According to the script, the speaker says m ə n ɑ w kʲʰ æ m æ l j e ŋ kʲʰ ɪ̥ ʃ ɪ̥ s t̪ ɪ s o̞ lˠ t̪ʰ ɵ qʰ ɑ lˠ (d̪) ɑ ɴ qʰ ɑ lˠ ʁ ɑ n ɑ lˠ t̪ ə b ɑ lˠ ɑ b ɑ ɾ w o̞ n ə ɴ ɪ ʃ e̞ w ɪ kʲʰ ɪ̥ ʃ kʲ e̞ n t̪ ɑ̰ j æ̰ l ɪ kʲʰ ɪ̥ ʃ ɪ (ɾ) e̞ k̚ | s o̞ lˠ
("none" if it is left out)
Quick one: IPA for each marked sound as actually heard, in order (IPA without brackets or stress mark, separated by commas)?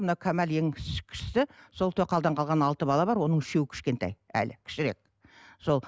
d̪, ɾ